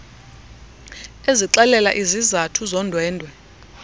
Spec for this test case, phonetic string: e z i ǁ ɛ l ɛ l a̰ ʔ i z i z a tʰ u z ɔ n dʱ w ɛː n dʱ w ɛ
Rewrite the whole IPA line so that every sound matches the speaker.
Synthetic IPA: e z i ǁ ɛ l ɛ l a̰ ʔ i z i z a tʰ u z ɔ n dʱ w ɛː n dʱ w ɛ